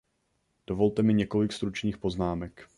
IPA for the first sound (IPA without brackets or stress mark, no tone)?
d̥